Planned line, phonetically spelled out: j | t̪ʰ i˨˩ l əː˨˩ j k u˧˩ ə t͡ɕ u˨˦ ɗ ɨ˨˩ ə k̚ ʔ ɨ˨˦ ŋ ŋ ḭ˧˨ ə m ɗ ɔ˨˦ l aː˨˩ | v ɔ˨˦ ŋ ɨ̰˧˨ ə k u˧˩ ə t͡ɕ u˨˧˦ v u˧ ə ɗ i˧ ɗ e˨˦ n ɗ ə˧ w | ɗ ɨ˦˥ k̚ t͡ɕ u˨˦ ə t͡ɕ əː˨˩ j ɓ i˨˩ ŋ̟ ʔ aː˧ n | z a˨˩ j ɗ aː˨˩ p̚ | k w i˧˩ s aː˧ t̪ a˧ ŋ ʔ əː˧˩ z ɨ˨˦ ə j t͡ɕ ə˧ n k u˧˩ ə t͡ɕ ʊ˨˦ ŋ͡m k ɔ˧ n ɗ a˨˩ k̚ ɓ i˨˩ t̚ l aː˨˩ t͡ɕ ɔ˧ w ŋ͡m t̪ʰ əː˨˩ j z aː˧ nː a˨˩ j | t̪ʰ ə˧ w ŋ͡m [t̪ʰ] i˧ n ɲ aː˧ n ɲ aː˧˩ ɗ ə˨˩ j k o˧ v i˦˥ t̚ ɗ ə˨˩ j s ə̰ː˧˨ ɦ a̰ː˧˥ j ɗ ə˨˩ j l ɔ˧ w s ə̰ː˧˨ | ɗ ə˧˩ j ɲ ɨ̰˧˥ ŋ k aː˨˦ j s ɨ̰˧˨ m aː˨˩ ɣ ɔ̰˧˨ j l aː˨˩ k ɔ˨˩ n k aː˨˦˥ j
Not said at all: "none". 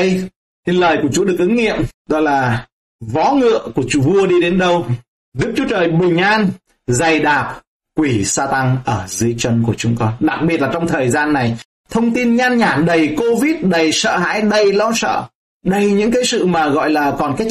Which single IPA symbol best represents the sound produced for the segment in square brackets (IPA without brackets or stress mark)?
t̪